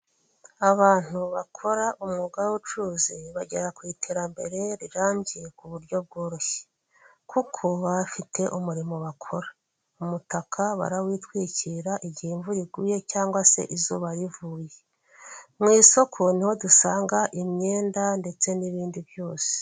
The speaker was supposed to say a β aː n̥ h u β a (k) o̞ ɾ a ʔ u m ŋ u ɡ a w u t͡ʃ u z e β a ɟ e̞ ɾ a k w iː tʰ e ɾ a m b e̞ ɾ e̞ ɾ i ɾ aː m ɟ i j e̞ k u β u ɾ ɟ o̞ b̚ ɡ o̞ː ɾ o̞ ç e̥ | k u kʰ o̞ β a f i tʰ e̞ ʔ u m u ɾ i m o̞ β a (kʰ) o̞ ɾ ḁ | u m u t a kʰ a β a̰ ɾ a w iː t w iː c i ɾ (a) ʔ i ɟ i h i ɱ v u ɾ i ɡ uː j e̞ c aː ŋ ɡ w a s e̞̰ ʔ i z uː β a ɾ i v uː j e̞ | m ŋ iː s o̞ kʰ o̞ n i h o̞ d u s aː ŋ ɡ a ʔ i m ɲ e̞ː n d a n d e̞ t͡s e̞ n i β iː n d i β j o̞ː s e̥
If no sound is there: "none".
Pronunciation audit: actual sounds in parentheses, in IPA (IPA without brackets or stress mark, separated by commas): kʰ, kʰ, a